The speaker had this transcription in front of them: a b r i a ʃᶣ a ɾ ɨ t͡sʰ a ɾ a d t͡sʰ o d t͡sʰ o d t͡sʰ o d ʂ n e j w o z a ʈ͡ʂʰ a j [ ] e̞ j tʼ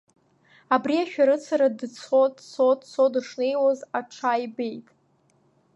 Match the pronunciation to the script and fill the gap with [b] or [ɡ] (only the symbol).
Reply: b